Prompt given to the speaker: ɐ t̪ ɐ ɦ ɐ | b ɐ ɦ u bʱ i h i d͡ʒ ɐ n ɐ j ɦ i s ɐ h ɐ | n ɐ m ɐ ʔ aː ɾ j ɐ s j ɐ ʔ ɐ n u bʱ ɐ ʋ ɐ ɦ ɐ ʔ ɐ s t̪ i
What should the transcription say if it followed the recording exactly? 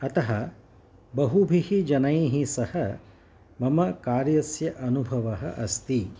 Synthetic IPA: ɐ t̪ ɐ ɦ ɐ | b ɐ ɦ u bʱ i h i d͡ʒ ɐ n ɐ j ɦ i s ɐ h ɐ | m ɐ m ɐ k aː ɾ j ɐ s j ɐ ʔ ɐ n u bʱ ɐ ʋ ɐ ɦ ɐ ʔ ɐ s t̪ i